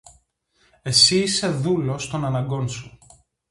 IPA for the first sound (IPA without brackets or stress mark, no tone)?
e̞